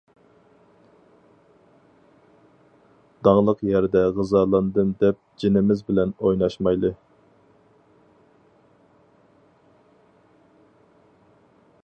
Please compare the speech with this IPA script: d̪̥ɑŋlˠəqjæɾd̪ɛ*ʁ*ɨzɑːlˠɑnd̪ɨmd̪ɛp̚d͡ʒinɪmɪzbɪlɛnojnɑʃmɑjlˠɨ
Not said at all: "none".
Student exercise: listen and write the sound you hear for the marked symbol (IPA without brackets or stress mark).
ʁ